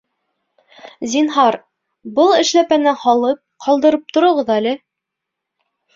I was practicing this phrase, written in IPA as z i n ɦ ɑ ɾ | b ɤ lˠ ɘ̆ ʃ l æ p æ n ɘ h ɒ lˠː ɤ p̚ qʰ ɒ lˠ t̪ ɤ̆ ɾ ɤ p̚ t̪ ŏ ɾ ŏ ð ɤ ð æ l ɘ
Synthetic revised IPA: z i n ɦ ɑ ɾ | b ɤ lˠ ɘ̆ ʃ l æ p æ n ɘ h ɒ lˠ ɤ p̚ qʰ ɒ lˠ d̪ ɤ̆ ɾ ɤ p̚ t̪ ŏ ɾ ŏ ʁ ɤ ð æ l ɘ